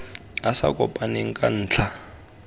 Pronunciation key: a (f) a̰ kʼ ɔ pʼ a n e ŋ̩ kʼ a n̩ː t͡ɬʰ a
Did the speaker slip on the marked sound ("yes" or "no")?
yes